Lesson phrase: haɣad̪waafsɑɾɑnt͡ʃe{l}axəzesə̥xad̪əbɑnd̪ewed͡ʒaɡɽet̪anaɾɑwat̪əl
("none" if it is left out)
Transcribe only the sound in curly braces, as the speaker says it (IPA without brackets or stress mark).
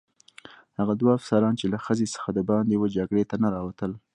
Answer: l